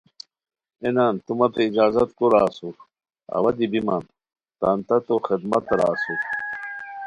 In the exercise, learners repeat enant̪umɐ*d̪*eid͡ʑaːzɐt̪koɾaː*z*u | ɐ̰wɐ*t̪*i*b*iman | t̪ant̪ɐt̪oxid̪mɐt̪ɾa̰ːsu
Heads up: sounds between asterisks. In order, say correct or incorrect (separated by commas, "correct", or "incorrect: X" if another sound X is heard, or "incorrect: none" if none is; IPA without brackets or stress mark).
incorrect: t̪, incorrect: s, incorrect: d̪, correct